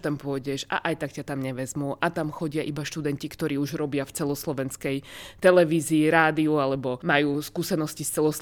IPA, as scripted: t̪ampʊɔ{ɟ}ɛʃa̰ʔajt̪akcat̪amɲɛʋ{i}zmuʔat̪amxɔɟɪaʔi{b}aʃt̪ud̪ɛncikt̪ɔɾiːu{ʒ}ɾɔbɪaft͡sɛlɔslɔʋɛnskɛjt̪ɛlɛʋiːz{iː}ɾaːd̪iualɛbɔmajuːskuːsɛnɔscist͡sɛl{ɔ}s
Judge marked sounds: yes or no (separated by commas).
yes, no, yes, yes, yes, yes